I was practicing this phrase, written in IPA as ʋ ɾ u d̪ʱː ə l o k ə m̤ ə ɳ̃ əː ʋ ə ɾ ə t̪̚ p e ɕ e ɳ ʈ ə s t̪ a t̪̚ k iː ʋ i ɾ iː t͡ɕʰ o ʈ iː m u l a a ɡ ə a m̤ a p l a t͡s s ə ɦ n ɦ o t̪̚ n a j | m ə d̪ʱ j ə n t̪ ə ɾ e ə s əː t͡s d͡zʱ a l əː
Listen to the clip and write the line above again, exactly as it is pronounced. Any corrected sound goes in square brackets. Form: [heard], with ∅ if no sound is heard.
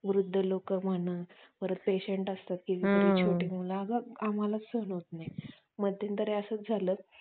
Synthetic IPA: ʋ ɾ u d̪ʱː ə l o k ə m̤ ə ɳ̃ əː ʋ ə ɾ ə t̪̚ p e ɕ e ɳ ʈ ə s t̪ a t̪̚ k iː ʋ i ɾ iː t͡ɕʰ o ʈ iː m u l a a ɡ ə a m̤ a [∅] l a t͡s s ə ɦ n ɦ o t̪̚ n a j | m ə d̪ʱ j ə n t̪ ə ɾ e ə s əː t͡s d͡zʱ a l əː